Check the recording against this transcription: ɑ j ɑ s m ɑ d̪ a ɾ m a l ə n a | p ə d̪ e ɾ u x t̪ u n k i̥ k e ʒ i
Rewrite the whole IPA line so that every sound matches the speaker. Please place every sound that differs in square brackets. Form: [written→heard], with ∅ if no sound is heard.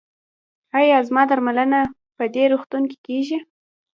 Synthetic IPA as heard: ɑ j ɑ [s→z] m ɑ d̪ a ɾ m a l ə n a | p ə d̪ e ɾ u x t̪ u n k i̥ k e ʒ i